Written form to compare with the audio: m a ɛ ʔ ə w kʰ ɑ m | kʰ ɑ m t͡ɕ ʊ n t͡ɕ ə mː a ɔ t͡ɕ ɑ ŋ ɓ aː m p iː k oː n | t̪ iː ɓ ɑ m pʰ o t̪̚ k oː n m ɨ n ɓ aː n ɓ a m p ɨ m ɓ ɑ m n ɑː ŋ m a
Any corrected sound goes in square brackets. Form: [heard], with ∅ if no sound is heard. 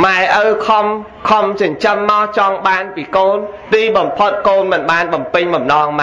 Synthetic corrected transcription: m a ɛ ʔ ə w kʰ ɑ m | kʰ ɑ m t͡ɕ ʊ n t͡ɕ ə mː a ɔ t͡ɕ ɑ ŋ ɓ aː [n] p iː k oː n | t̪ iː ɓ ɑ m pʰ o t̪̚ k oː n m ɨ n ɓ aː n ɓ [ɑ] m p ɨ [ɲ] ɓ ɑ m n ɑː ŋ m a